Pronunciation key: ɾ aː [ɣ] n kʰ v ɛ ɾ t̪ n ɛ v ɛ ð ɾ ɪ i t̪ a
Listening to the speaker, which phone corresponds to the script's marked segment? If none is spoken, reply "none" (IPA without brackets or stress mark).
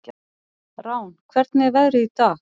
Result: w